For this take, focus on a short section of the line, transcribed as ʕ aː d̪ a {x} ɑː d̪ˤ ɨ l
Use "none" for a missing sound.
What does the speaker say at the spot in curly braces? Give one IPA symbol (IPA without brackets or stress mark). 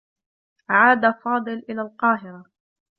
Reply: f